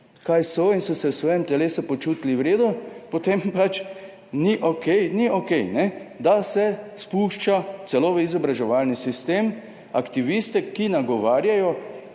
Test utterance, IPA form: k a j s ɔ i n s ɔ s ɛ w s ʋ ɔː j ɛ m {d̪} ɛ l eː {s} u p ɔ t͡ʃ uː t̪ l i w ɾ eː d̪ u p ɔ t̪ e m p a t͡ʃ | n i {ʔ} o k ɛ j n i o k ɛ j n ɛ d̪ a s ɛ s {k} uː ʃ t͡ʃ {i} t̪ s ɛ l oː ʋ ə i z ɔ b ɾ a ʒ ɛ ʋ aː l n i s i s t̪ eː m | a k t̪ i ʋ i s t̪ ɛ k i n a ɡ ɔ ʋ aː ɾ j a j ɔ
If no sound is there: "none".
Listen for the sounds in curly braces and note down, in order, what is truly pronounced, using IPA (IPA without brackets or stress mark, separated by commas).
t̪, s, ʔ, p, a